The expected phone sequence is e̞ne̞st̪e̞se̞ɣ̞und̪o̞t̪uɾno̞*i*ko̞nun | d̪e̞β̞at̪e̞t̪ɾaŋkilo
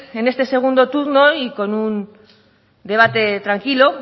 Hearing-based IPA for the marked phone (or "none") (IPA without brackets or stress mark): i